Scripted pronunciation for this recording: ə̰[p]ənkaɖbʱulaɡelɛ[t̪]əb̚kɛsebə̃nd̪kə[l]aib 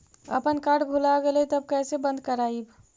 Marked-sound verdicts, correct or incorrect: correct, correct, incorrect: ɾ

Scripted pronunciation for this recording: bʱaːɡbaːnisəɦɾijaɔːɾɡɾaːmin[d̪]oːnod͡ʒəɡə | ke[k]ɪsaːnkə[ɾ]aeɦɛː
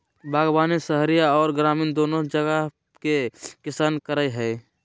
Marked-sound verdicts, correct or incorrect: correct, correct, correct

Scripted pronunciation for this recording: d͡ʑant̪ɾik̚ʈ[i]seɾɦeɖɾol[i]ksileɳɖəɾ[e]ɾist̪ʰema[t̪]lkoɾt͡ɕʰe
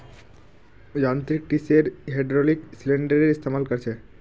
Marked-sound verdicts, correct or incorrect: correct, correct, correct, incorrect: none

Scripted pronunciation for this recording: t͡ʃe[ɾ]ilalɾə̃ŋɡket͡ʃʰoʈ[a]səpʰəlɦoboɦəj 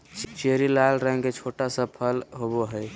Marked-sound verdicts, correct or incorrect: correct, correct

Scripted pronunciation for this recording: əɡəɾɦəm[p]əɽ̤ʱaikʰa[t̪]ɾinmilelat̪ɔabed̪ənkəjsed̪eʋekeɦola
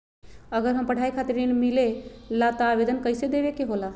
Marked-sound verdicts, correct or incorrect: correct, correct

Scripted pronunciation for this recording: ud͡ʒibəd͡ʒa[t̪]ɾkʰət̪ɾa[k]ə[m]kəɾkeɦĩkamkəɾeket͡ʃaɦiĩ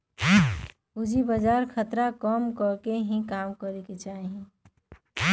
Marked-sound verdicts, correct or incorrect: incorrect: none, correct, correct

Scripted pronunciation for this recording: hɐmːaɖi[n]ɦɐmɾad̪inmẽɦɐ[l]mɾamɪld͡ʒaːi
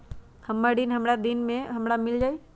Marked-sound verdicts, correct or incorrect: correct, incorrect: none

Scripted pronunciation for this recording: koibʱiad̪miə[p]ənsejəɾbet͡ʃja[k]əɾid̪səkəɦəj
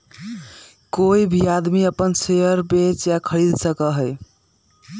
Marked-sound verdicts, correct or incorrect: correct, incorrect: kʰ

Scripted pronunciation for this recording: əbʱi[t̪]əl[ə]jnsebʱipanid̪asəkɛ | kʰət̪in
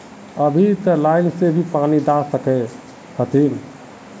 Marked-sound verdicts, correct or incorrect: correct, incorrect: a

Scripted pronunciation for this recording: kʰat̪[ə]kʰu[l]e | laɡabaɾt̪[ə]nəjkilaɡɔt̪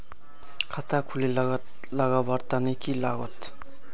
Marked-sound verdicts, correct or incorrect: incorrect: a, correct, incorrect: a

